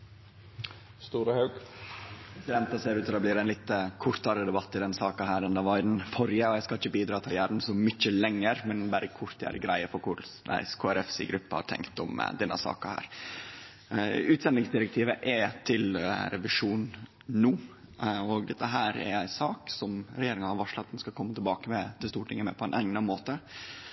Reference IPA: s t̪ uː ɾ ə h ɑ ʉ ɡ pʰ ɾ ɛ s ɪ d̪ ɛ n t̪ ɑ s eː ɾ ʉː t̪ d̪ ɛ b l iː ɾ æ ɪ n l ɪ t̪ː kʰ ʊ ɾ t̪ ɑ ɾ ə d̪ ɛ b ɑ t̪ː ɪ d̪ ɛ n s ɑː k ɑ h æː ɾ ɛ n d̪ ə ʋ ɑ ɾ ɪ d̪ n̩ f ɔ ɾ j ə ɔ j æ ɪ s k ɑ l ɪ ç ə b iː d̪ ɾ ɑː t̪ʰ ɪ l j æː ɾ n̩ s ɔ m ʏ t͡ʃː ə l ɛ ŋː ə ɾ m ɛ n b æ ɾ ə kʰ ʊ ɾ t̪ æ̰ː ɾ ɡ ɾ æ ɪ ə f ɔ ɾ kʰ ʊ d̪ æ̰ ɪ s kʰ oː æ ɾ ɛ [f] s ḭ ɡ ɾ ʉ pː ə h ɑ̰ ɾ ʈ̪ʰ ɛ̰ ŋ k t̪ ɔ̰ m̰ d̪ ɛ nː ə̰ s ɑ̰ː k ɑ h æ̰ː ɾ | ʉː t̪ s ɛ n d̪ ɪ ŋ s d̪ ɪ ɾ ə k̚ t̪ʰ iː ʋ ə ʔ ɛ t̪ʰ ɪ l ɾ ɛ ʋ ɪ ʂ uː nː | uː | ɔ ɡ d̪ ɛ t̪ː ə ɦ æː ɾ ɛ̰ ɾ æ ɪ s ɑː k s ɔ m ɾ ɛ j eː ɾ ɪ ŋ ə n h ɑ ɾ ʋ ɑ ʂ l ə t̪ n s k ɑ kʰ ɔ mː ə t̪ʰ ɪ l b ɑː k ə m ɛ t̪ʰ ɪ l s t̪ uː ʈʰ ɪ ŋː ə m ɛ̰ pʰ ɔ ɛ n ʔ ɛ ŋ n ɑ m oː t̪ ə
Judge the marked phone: correct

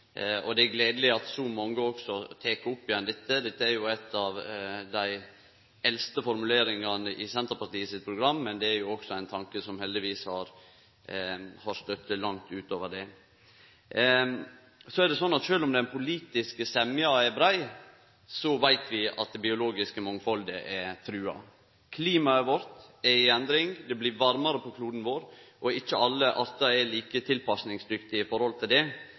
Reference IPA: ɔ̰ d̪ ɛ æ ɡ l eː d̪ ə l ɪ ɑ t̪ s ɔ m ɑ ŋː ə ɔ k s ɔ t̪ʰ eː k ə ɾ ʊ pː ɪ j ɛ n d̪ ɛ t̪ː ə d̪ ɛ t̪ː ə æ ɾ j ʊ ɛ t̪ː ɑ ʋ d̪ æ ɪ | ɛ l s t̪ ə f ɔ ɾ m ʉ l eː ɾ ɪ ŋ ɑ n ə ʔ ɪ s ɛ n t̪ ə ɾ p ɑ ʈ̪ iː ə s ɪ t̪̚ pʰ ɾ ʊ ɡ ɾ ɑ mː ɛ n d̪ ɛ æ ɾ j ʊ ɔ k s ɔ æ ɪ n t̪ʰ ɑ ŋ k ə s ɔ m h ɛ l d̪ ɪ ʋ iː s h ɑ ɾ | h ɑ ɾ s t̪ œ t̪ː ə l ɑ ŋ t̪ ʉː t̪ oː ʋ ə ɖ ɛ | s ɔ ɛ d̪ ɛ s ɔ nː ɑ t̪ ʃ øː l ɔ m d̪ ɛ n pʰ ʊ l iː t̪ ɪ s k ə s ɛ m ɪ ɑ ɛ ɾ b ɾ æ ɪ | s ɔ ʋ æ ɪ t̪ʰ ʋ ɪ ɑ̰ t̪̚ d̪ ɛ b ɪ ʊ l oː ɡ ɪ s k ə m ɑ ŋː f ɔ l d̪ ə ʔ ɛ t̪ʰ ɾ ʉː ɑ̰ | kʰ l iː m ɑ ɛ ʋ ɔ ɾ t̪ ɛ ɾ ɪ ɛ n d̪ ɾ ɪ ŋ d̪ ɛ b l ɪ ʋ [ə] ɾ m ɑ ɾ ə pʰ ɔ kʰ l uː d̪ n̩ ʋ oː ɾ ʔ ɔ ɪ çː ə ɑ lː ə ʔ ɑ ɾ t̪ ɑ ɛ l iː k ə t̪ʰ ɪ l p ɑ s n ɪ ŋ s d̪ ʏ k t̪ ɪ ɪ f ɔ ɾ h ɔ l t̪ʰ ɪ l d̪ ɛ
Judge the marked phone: incorrect: ɑ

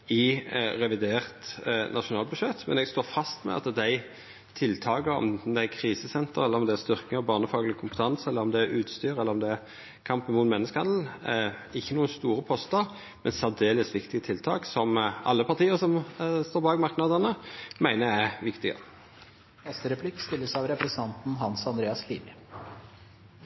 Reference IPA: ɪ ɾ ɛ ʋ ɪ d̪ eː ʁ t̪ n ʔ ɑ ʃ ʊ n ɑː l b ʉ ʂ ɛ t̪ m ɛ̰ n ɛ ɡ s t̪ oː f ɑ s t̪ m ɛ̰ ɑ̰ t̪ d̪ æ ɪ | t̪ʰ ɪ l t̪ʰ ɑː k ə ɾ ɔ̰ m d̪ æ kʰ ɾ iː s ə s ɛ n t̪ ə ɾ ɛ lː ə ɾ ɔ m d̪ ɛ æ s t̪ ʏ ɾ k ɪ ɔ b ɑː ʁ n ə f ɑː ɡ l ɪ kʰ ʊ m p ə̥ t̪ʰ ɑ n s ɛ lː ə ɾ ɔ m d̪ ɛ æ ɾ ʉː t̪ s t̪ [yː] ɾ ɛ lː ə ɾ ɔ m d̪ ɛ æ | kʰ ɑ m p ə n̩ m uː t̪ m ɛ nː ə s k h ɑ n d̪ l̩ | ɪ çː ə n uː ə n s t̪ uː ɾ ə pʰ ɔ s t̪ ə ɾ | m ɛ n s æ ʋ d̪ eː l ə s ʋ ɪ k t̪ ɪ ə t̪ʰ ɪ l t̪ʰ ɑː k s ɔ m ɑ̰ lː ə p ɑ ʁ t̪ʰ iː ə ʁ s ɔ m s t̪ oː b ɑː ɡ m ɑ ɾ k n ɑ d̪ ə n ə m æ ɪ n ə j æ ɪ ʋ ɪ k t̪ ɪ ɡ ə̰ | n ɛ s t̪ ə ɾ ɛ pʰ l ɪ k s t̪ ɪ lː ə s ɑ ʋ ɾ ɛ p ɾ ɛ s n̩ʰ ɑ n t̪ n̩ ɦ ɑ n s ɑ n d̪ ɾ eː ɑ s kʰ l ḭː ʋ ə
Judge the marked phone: correct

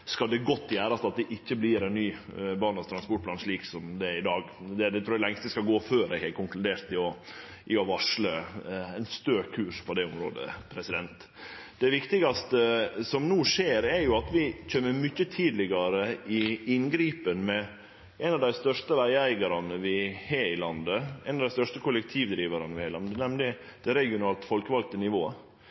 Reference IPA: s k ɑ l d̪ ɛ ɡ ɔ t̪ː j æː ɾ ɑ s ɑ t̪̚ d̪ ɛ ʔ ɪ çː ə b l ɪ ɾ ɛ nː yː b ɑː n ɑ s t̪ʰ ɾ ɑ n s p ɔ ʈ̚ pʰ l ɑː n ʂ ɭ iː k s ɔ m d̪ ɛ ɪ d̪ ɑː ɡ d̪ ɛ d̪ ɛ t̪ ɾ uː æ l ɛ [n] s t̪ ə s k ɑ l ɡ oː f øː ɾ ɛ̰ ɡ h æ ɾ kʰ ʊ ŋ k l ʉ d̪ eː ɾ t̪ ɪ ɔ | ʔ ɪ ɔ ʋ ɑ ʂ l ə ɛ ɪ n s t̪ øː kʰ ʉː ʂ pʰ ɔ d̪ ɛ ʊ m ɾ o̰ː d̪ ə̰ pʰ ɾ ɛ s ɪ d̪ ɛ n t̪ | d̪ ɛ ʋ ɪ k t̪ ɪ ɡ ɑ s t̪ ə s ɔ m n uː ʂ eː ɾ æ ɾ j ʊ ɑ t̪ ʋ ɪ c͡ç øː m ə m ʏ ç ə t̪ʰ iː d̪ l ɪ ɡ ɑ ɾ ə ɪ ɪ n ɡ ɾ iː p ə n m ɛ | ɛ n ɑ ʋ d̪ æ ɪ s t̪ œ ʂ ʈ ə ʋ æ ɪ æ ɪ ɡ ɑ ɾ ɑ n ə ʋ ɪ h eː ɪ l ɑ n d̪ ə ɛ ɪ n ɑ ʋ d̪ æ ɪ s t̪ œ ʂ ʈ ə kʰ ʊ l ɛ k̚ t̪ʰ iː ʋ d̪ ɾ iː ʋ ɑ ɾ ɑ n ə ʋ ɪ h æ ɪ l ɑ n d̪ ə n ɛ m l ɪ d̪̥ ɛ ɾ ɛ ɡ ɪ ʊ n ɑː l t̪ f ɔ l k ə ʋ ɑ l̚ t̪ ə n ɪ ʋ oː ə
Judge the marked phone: incorrect: ŋ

